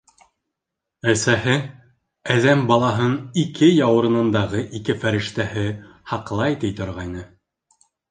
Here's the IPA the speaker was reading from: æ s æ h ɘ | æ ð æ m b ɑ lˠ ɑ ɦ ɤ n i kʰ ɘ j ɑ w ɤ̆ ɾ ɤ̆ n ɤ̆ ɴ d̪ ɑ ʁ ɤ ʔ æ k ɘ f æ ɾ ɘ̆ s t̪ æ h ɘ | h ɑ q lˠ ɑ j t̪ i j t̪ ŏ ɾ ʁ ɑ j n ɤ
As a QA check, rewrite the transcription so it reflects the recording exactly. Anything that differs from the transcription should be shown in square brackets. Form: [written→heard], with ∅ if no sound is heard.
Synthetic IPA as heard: æ s æ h ɘ | æ ð æ m b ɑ lˠ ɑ ɦ ɤ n i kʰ ɘ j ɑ w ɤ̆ ɾ ɤ̆ n ɤ̆ [ɴ→n] d̪ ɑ ʁ ɤ ʔ [æ→i] k ɘ f æ ɾ ɘ̆ [s→ʃ] t̪ æ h ɘ | h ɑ q lˠ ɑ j t̪ i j t̪ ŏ ɾ ʁ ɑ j n ɤ

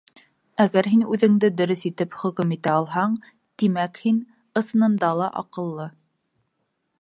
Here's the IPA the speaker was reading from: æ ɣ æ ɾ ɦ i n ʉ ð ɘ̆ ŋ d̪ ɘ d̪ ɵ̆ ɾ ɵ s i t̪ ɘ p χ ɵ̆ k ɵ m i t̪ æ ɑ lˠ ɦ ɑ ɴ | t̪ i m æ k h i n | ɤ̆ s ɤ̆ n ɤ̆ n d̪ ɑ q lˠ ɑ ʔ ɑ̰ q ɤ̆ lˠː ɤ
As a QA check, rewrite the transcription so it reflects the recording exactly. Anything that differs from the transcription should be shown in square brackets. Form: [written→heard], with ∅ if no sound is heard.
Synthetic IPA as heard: æ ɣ æ ɾ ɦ i n ʉ ð ɘ̆ ŋ d̪ ɘ d̪ ɵ̆ ɾ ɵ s i t̪ ɘ p χ ɵ̆ k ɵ m i t̪ æ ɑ lˠ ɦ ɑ ɴ | t̪ i m æ k h i n | ɤ̆ s ɤ̆ n ɤ̆ n d̪ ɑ [q→∅] lˠ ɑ ʔ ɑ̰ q ɤ̆ lˠː ɤ

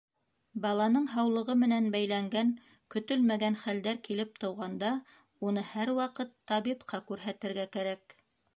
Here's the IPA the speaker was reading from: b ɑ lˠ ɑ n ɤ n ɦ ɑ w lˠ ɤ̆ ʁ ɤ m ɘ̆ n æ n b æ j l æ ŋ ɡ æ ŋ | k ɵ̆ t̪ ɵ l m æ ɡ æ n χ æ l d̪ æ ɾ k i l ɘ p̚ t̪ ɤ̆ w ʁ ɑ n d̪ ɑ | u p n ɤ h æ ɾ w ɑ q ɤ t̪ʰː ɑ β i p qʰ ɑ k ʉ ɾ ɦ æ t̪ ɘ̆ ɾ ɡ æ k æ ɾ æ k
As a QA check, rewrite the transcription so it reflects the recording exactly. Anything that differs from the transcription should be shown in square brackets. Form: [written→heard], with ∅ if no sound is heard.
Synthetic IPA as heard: b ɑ lˠ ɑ n ɤ [n→ɴ] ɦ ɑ w lˠ ɤ̆ ʁ ɤ m ɘ̆ n æ n b æ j l æ ŋ ɡ æ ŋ | k ɵ̆ t̪ ɵ l m æ ɡ æ n χ æ l d̪ æ ɾ k i l ɘ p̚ t̪ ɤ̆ w ʁ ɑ n d̪ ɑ | u [p→∅] n ɤ h æ ɾ w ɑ q ɤ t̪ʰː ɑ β i p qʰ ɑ k ʉ ɾ ɦ æ t̪ ɘ̆ ɾ ɡ æ k æ ɾ æ k

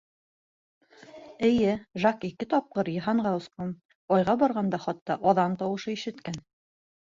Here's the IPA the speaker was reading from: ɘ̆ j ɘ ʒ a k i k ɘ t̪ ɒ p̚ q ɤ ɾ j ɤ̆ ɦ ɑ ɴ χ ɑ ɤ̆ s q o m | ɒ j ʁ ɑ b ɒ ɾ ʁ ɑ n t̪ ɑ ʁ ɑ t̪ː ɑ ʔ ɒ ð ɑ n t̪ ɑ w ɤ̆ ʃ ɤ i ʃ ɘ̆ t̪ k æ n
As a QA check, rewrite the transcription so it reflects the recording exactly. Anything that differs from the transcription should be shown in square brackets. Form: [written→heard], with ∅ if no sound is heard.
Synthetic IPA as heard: ɘ̆ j ɘ ʒ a k i k ɘ t̪ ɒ p̚ q ɤ ɾ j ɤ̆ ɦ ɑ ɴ [χ→ʁ] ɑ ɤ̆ s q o m | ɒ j ʁ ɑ b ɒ ɾ ʁ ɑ n [t̪→d̪] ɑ [ʁ→χ] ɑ t̪ː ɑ ʔ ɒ ð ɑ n t̪ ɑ w ɤ̆ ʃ ɤ i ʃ ɘ̆ t̪ k æ n

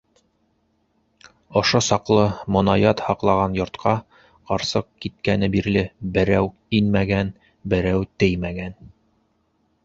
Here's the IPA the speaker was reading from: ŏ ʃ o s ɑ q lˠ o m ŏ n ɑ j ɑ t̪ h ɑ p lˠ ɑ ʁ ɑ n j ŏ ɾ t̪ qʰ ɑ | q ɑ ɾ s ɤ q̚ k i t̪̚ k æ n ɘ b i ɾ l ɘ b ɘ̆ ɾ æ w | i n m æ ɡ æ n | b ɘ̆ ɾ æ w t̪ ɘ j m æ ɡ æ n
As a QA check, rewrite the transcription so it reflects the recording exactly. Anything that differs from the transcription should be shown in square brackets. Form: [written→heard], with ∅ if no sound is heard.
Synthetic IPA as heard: ŏ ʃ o s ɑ q lˠ [o→ɤ] m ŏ n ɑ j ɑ t̪ h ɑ [p→q] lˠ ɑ ʁ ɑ n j ŏ ɾ t̪ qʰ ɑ | q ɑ ɾ s ɤ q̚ k i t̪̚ k æ n ɘ b i ɾ l ɘ b ɘ̆ ɾ æ w | i n m æ ɡ æ n | b ɘ̆ ɾ æ w t̪ ɘ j m æ ɡ æ n

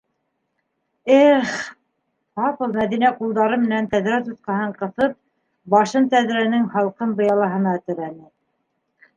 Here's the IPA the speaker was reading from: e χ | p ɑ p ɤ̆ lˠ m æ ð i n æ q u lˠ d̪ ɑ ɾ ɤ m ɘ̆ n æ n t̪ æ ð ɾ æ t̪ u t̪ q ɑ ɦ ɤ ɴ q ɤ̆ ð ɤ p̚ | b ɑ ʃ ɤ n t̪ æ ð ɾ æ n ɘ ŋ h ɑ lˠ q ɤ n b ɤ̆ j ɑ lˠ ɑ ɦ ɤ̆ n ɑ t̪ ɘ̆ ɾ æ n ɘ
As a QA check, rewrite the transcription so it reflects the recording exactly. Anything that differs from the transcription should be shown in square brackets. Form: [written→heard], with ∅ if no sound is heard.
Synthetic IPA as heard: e χ | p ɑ p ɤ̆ lˠ m æ ð i n æ q u lˠ d̪ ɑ ɾ ɤ m ɘ̆ n æ n t̪ æ ð ɾ æ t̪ u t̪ q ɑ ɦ ɤ ɴ q ɤ̆ [ð→θ] ɤ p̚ | b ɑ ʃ ɤ n t̪ æ ð ɾ æ n ɘ ŋ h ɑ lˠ q ɤ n b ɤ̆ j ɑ lˠ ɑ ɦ ɤ̆ n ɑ t̪ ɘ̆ ɾ æ n ɘ

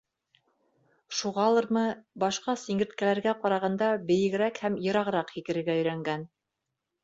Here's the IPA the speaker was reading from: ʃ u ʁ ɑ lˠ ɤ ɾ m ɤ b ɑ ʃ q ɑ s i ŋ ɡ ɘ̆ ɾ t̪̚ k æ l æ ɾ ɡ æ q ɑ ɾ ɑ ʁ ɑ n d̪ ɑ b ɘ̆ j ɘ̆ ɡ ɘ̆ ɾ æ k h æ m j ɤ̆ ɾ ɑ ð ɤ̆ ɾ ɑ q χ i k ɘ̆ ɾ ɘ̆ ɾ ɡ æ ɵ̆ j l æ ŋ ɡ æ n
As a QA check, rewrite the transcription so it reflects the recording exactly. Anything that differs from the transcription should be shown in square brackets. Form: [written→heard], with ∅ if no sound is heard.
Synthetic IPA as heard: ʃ u ʁ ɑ lˠ ɤ ɾ m ɤ b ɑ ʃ q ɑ s i ŋ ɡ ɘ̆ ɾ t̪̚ k æ l æ ɾ ɡ æ q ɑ ɾ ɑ ʁ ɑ n d̪ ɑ b ɘ̆ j ɘ̆ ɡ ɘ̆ ɾ æ k h æ m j ɤ̆ ɾ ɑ [ð→ʁ] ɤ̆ ɾ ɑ q [χ→h] i k ɘ̆ ɾ ɘ̆ ɾ ɡ æ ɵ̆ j [l→ɾ] æ ŋ ɡ æ n

